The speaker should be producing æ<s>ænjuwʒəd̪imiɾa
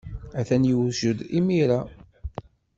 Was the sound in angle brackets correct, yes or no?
no